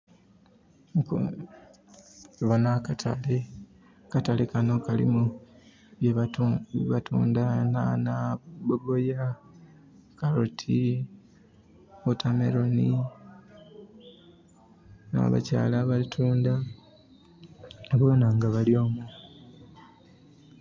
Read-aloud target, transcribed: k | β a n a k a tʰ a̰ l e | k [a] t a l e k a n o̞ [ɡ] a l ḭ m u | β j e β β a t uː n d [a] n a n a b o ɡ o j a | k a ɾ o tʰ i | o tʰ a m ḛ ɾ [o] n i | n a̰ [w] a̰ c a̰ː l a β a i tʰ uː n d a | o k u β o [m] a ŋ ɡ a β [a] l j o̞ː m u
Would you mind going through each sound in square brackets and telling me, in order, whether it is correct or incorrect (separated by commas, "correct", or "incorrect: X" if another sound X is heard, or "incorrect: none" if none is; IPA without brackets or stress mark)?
correct, incorrect: k, correct, correct, incorrect: β, incorrect: n, correct